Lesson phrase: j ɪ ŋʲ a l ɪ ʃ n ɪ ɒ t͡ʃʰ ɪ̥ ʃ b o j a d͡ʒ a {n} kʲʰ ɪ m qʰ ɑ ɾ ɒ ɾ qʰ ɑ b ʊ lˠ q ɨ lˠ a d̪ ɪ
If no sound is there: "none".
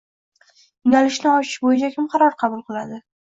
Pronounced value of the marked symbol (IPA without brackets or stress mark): none